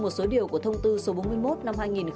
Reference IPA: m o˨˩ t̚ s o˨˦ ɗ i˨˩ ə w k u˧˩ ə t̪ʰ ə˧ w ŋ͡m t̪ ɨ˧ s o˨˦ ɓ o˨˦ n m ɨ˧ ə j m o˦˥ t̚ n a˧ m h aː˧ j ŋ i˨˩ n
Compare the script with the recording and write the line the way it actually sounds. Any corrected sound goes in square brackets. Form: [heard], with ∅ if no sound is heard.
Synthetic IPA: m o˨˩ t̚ s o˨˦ ɗ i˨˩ ə w k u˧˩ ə t̪ʰ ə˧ w ŋ͡m t̪ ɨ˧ s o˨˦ ɓ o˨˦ n m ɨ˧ ə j m o˦˥ t̚ n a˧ m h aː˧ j ŋ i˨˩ n